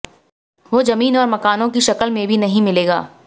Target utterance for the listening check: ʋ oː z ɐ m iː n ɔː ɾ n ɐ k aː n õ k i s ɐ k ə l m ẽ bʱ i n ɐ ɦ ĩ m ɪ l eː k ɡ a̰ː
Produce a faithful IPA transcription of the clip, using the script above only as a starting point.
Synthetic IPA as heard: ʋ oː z ɐ m iː n ɔː ɾ m ɐ k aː n õ k i ʃ ɐ k ə l m ẽ bʱ i n ɐ ɦ ĩ m ɪ l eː ɡ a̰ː